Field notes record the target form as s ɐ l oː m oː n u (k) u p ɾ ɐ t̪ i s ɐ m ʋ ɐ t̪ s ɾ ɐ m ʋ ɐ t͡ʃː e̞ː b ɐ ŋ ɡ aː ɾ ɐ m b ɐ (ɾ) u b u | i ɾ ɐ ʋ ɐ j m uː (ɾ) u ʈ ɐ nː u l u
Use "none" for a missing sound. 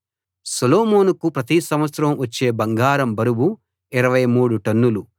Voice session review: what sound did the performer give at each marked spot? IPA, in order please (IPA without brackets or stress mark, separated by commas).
k, ɾ, ɽ